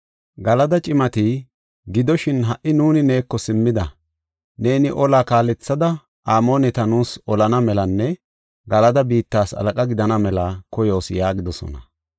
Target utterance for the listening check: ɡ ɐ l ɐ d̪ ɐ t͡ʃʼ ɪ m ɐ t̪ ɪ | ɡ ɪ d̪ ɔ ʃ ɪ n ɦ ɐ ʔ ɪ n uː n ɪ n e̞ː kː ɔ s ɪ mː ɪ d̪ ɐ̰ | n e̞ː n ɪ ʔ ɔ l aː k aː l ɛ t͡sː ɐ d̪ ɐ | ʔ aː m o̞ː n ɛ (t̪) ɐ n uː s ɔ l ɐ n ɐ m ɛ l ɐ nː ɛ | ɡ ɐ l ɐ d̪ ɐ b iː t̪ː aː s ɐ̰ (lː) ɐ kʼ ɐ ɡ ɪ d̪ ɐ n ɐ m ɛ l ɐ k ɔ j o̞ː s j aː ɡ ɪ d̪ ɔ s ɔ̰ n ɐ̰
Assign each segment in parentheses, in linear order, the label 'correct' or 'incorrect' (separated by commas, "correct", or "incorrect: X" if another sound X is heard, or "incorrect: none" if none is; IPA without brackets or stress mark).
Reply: correct, incorrect: l